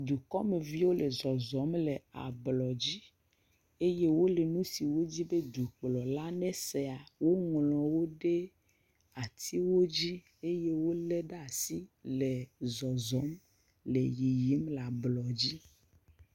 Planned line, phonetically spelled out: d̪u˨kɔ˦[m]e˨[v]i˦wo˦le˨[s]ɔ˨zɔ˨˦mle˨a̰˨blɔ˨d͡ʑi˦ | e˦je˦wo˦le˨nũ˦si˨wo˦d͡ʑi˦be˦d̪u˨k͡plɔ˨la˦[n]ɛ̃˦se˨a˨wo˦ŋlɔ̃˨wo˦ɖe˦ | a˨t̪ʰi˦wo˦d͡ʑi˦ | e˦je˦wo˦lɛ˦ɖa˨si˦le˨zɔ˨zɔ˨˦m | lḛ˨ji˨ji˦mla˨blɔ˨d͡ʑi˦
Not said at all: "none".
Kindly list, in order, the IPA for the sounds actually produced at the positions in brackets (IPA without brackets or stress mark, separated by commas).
m, v, z, n